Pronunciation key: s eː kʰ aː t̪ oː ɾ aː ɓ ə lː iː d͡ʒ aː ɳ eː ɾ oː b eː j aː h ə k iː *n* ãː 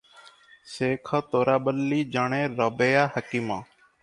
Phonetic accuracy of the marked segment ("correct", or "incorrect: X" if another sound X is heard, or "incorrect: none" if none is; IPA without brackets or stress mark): incorrect: m